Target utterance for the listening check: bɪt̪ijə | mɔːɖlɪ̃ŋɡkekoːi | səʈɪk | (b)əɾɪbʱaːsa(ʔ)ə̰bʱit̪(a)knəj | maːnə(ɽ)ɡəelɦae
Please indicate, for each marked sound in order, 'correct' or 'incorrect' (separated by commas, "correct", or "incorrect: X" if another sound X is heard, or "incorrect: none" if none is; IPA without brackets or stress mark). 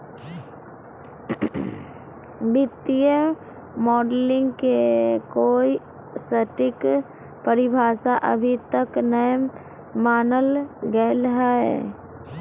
incorrect: p, correct, incorrect: ə, incorrect: l